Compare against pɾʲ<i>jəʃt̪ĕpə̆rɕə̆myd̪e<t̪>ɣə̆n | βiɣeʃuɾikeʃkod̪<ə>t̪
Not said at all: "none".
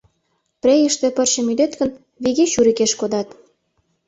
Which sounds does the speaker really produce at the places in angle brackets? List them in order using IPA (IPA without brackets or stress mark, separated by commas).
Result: e, t̪, ɑ